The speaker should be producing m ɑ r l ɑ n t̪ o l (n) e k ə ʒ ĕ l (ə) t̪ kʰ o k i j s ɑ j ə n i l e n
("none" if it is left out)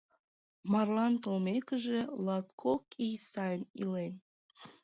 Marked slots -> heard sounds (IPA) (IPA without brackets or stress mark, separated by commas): m, ɑ